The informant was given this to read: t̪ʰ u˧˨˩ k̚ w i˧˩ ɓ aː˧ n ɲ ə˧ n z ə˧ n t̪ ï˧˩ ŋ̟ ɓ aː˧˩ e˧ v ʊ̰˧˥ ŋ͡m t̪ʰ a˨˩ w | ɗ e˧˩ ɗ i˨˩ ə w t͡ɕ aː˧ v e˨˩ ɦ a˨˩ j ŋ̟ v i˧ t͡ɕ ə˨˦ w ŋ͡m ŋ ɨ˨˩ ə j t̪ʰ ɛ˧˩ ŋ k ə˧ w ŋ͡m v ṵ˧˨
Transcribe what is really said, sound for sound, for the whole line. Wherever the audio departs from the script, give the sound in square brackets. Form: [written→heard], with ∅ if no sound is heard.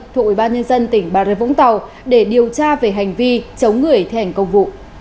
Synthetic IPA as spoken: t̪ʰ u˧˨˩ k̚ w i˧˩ ɓ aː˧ n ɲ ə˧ n z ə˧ n t̪ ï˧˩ ŋ̟ ɓ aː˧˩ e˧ v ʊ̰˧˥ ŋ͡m [t̪ʰ→t̪] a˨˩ w | ɗ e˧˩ ɗ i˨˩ ə w t͡ɕ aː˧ v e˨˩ ɦ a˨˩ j ŋ̟ v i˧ t͡ɕ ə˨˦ w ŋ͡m ŋ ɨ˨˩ ə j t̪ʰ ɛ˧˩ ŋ k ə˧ w ŋ͡m v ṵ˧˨